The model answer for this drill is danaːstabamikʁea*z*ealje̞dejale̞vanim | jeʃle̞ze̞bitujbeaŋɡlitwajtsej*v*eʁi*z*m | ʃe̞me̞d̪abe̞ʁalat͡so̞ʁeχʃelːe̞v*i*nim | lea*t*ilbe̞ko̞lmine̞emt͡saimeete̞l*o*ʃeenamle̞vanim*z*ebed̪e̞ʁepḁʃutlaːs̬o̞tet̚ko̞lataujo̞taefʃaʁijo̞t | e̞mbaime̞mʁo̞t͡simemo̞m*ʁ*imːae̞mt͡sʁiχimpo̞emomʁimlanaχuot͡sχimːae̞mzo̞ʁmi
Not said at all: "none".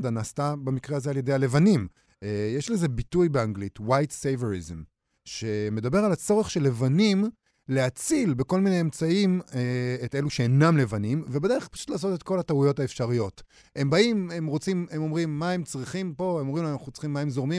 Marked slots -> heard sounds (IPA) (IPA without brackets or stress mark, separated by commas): z, v, z, a, t͡s, u, v, ʁ